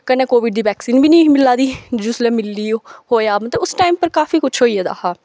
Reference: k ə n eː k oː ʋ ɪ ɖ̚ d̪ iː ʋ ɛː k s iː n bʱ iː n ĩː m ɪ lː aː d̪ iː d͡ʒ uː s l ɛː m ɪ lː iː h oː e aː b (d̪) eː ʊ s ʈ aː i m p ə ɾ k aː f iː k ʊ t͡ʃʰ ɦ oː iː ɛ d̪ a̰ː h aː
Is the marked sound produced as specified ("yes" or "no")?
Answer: no